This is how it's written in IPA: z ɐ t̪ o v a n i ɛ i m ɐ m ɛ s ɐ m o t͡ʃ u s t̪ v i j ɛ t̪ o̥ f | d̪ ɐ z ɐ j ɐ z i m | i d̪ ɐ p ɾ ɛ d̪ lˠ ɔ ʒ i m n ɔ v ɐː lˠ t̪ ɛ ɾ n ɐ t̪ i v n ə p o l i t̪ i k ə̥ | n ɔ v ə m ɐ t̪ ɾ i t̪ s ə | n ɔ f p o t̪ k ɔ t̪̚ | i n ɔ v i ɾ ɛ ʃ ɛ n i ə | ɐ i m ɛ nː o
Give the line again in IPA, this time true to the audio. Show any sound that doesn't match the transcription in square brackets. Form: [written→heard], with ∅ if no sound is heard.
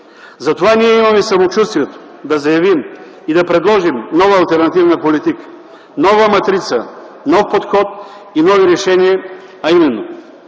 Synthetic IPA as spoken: z ɐ t̪ o v a n i ɛ i m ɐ m ɛ s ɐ m o t͡ʃ u s t̪ v i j ɛ t̪ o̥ [f→∅] | d̪ ɐ z ɐ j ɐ [z→v] i m | i d̪ ɐ p ɾ ɛ d̪ lˠ ɔ ʒ i m n ɔ v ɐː lˠ t̪ ɛ ɾ n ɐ t̪ i v n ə p o l i t̪ i k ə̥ | n ɔ v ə m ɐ t̪ ɾ i t̪ s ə | n ɔ f p o t̪ [k→x] ɔ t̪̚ | i n ɔ v i ɾ ɛ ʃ ɛ n i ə | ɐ i m ɛ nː o